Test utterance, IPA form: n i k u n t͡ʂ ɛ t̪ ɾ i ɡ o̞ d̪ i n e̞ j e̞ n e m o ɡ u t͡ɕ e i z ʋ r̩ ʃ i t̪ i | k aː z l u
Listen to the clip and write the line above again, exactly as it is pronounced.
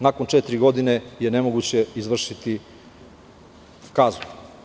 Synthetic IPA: n a k o n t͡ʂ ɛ t̪ ɾ i ɡ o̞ d̪ i n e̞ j e̞ n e m o ɡ u t͡ɕ e i z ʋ r̩ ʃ i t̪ i | k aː z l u